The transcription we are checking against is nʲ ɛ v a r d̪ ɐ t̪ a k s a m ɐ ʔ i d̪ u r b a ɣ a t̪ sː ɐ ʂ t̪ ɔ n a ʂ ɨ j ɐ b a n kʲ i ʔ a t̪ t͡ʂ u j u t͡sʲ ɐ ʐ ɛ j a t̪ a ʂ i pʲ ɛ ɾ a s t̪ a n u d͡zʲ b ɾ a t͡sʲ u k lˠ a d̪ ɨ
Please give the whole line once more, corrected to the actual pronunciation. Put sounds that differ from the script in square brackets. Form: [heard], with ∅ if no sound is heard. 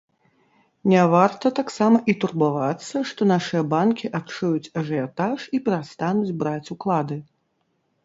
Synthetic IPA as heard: nʲ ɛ v a r [t̪] ɐ t̪ a k s a m ɐ ʔ i [t̪] u r b a [v] a t̪ sː ɐ ʂ t̪ ɔ n a ʂ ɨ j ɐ b a n kʲ i ʔ a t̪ t͡ʂ u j u t͡sʲ ɐ ʐ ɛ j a t̪ a ʂ i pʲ ɛ ɾ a s t̪ a n u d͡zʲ b ɾ a t͡sʲ u k lˠ a d̪ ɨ